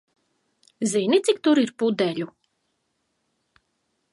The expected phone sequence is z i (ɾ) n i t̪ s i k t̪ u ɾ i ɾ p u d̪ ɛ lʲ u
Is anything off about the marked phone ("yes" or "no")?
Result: yes